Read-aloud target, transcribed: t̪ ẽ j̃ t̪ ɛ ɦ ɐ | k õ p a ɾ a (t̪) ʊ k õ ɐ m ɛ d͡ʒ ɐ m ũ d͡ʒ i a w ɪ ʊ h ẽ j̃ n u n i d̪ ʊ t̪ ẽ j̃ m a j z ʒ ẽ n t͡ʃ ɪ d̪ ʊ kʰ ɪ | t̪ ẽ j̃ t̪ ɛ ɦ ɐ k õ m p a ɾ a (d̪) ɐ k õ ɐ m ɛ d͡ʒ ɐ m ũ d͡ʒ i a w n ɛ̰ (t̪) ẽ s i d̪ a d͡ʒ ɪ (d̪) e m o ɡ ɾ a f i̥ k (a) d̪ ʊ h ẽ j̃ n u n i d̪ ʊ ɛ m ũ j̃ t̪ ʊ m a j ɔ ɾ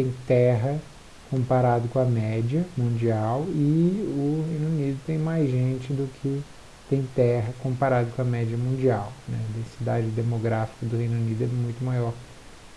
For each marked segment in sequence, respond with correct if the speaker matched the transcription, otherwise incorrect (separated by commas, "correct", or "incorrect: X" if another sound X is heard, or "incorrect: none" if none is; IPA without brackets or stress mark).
incorrect: d̪, correct, incorrect: d̪, correct, incorrect: ɐ